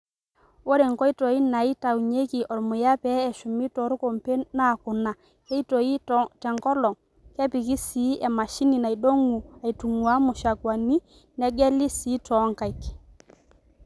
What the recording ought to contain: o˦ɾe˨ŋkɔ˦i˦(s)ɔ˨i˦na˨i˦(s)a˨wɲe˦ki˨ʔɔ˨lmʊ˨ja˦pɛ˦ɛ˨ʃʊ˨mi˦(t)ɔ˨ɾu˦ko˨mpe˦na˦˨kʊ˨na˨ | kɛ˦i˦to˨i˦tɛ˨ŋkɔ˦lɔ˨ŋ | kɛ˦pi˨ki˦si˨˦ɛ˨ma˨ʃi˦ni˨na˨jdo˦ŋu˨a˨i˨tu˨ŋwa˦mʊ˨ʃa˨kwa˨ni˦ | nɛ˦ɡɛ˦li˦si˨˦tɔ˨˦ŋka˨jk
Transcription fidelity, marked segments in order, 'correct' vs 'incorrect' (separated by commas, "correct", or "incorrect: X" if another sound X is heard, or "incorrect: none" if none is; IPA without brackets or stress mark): incorrect: t, incorrect: t, correct